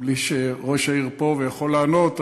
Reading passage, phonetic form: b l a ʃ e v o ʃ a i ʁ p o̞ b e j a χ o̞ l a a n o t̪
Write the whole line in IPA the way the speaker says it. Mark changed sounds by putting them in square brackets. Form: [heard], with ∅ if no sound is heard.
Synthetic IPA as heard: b l [i] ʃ e [ʁ] o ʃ a i ʁ p o̞ [v] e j a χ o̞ l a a n o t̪